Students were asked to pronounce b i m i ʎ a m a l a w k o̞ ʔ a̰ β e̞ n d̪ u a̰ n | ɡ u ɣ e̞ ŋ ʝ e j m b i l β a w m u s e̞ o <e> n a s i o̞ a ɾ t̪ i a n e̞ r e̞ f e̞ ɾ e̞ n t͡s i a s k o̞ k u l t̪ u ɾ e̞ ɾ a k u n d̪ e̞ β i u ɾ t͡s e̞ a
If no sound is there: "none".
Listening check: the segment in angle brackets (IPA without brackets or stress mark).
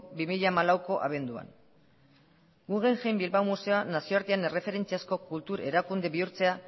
a